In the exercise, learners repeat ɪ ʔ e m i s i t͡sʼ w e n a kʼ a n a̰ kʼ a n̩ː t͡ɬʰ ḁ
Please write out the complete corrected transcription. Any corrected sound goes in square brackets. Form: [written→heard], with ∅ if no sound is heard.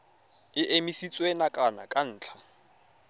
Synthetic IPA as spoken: ɪ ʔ e m i s i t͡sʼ w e n a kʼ a n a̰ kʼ a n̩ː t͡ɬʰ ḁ